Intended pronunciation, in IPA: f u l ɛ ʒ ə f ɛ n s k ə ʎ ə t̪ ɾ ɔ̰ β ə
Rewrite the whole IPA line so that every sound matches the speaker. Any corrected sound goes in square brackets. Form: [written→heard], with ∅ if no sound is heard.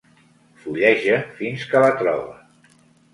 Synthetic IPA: f u [l→ʎ] ɛ ʒ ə f [ɛ→i] n s k ə [ʎ→l] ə t̪ ɾ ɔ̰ β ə